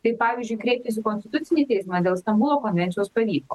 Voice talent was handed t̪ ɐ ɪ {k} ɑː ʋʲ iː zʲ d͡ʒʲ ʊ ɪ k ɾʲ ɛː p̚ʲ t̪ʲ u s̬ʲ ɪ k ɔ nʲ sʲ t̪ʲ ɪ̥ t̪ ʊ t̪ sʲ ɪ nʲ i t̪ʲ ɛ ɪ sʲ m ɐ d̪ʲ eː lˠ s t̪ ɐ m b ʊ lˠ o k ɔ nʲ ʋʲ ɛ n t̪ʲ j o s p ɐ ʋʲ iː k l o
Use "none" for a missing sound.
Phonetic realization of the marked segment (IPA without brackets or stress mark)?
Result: p